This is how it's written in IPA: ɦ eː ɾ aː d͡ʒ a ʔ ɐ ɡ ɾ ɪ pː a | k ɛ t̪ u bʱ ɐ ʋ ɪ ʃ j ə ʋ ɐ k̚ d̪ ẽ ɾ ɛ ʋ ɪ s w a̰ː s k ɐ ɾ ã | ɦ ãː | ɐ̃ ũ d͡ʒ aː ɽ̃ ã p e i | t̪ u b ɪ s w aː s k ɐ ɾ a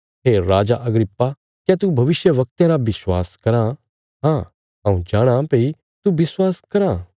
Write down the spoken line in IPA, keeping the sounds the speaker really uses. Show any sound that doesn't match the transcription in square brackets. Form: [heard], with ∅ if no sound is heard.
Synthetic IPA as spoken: ɦ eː ɾ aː d͡ʒ a ʔ ɐ ɡ ɾ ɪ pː a | k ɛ t̪ u bʱ ɐ ʋ ɪ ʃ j ə ʋ ɐ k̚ [t̪] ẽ ɾ [a] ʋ ɪ s w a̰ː s k ɐ ɾ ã | ɦ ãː | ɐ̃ ũ d͡ʒ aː ɽ̃ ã p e i | t̪ u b ɪ s w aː s k ɐ ɾ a